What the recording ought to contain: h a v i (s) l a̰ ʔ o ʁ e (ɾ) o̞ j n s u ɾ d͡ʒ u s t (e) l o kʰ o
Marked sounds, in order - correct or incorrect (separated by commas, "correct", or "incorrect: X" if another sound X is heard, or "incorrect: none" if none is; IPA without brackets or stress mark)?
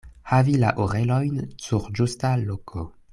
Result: incorrect: none, incorrect: l, incorrect: a